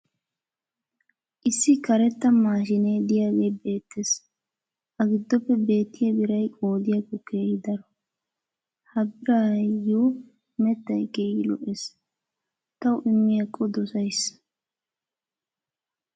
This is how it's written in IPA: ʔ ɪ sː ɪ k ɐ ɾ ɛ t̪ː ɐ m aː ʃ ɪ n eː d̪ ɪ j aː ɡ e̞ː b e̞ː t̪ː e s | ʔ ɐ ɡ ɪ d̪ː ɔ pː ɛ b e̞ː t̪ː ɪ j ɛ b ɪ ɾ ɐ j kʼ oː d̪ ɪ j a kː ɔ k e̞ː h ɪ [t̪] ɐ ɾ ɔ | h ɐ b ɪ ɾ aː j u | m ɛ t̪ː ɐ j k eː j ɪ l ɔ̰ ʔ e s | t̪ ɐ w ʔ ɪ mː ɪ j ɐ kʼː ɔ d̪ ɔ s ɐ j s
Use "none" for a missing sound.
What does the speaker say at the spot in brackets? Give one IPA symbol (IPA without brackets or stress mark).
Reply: d̪